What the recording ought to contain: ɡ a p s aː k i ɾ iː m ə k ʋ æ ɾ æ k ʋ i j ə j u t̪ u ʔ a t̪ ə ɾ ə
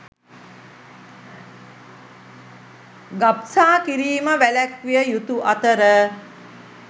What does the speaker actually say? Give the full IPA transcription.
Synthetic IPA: ɡ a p s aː k i ɾ iː m ə ʋ æ l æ k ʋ i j ə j u t̪ u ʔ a t̪ ə ɾ ə